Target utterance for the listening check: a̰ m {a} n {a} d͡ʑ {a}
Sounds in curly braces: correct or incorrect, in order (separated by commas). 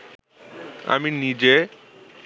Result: incorrect, incorrect, incorrect